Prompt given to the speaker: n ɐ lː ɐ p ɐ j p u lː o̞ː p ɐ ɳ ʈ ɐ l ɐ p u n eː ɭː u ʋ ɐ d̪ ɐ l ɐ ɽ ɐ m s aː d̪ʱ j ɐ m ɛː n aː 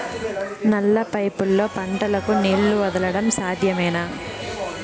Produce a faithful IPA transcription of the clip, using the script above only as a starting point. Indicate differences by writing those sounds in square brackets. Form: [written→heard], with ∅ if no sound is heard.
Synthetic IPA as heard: n ɐ lː ɐ p ɐ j p u lː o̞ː p ɐ ɳ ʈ ɐ l ɐ [p→k] u n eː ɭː u ʋ ɐ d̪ ɐ l ɐ ɽ ɐ m s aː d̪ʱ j ɐ m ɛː n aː